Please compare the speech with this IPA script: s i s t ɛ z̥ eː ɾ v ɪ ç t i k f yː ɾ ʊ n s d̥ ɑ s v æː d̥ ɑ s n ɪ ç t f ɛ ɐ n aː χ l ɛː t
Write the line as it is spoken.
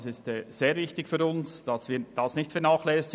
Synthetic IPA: s ɪ s t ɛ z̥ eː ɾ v ɪ ç t ɪ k f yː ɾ ʊ n s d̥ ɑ s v iː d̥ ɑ s n ɪ ç t f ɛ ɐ n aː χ l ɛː s